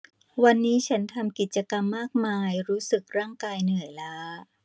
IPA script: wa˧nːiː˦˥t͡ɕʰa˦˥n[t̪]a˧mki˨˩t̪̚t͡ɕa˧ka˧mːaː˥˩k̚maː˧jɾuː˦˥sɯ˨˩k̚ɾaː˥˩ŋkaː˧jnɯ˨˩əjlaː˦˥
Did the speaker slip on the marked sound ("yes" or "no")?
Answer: yes